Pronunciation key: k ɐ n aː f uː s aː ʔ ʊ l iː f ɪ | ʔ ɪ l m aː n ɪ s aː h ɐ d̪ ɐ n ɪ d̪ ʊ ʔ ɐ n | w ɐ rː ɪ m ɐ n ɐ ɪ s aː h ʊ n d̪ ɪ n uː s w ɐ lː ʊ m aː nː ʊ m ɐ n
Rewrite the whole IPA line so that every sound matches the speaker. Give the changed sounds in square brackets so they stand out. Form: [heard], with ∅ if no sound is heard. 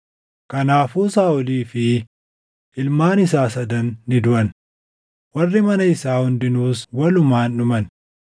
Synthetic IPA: k ɐ n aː f uː s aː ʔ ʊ l iː f ɪ | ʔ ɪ l m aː n ɪ s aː [s] ɐ d̪ ɐ [nː] ɪ d̪ ʊ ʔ ɐ n | w ɐ rː ɪ m ɐ n ɐ ɪ s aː h ʊ n d̪ ɪ n uː s w ɐ [l] ʊ m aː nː ʊ m ɐ n